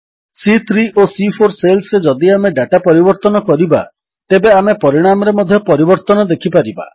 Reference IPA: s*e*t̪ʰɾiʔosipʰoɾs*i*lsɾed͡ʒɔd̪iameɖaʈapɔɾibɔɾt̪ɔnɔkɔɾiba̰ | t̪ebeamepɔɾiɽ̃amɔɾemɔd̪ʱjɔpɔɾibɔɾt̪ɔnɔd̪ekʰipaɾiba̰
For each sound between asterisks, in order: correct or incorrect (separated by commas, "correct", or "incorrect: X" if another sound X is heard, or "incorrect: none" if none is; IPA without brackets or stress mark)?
incorrect: i, incorrect: e